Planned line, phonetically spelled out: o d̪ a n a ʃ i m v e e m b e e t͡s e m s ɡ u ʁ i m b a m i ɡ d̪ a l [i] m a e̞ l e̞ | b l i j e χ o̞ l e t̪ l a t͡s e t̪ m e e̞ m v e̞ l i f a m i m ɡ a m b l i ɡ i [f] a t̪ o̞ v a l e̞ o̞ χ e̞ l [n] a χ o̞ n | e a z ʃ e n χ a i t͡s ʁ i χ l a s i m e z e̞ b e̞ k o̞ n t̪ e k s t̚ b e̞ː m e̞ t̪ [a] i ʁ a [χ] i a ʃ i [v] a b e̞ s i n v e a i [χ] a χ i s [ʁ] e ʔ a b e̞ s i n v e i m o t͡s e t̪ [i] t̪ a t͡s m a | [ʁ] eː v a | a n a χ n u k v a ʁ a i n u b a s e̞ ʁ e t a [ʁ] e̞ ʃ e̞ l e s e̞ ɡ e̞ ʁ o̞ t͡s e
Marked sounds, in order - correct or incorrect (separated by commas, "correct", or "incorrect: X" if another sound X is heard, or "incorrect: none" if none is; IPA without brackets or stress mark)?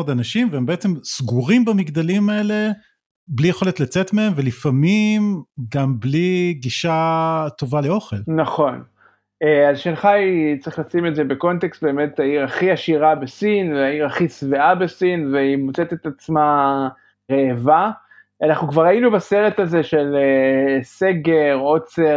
correct, incorrect: ʃ, correct, correct, correct, incorrect: ʁ, incorrect: ʁ, incorrect: v, incorrect: e, correct, incorrect: z